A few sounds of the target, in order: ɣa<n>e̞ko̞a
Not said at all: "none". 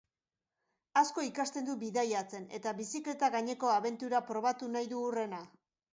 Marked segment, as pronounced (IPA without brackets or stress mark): ɲ